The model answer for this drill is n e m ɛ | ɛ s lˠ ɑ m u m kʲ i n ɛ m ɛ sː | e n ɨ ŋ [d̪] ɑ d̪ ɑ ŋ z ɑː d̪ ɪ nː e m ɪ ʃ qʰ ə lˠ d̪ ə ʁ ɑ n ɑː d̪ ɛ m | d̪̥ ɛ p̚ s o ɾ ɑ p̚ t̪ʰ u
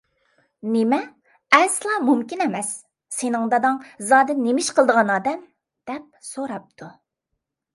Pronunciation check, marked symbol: correct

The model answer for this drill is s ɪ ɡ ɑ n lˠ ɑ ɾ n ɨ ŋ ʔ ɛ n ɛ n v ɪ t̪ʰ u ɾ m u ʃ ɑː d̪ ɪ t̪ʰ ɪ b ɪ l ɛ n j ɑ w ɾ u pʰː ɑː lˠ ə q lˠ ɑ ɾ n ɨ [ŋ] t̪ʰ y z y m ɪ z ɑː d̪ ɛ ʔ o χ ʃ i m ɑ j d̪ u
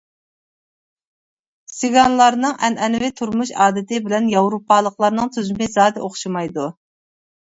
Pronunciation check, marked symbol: correct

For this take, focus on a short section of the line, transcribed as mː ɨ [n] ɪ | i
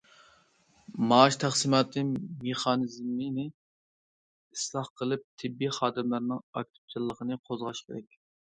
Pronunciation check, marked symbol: correct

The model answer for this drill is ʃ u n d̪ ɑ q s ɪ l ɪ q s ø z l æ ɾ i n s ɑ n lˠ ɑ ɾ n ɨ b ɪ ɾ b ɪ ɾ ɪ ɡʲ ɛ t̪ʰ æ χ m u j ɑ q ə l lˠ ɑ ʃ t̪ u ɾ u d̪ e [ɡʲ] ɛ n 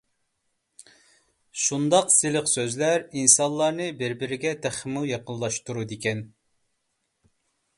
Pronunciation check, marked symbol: incorrect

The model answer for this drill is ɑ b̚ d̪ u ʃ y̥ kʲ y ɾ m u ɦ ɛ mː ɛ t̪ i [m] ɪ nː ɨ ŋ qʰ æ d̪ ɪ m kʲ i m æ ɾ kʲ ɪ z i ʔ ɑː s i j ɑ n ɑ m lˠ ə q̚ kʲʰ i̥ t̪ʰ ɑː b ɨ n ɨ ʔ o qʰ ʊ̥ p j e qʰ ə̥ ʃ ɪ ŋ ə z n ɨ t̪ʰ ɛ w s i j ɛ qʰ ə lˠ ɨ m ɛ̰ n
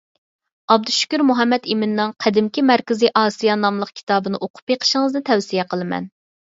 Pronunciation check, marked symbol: correct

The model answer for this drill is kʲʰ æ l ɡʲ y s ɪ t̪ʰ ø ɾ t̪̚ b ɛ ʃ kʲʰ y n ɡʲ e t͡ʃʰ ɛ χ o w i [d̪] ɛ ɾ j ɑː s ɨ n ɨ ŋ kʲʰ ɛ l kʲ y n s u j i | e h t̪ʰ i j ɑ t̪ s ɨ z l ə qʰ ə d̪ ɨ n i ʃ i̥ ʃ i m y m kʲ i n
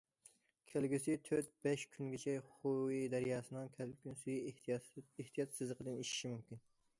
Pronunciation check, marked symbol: correct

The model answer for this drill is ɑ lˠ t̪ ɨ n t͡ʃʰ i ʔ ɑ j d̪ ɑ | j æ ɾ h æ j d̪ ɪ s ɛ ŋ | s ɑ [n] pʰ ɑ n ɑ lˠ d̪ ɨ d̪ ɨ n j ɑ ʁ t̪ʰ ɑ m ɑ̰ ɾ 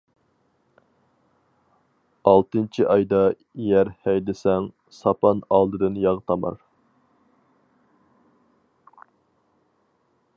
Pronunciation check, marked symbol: incorrect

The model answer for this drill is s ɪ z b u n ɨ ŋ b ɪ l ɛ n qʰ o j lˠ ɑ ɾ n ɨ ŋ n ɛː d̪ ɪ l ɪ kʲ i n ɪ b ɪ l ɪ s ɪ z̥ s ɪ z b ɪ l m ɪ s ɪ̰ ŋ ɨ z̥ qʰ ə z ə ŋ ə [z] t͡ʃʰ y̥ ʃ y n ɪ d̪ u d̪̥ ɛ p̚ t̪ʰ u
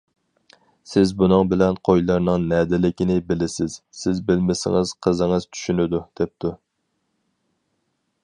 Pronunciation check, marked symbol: correct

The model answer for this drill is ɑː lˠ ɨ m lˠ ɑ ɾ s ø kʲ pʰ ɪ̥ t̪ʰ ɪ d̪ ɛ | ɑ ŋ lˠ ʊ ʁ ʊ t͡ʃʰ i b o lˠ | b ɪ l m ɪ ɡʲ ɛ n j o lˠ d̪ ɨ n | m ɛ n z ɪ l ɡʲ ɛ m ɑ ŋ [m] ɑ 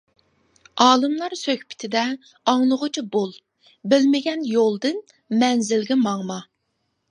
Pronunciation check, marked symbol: correct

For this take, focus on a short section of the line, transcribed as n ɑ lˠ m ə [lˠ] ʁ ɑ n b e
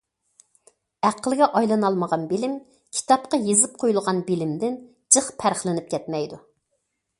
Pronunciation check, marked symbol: incorrect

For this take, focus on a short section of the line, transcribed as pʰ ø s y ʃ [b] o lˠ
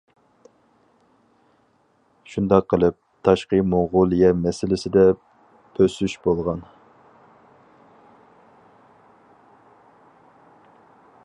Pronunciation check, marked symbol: correct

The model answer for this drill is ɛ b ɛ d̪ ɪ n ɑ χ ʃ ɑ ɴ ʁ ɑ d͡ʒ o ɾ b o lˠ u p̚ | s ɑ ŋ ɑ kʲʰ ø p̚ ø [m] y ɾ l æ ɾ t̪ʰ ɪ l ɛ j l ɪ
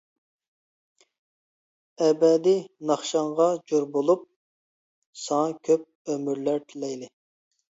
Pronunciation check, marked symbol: correct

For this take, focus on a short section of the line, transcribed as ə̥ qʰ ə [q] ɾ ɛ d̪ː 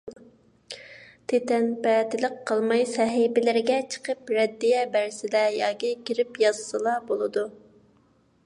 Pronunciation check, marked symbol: incorrect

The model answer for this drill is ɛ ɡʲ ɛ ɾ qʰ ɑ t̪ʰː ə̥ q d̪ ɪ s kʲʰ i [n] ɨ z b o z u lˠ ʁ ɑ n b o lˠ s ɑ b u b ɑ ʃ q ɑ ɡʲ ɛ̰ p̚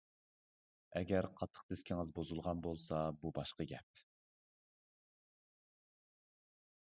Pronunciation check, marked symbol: incorrect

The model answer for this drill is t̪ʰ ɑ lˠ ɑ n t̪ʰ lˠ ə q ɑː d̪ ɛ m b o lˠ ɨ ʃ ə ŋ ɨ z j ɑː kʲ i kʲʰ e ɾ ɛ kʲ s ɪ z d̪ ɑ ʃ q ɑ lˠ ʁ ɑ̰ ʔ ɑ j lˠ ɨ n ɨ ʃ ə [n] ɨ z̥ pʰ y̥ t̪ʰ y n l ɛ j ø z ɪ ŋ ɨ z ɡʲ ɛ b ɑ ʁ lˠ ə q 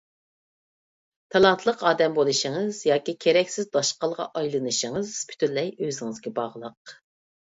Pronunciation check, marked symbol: incorrect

